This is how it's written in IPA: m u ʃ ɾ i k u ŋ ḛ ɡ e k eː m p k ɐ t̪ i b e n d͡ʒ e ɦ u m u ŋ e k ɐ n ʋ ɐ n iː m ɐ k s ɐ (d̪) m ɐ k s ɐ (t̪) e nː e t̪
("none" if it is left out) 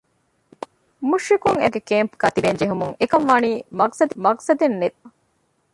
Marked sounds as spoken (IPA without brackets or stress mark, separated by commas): d̪, d̪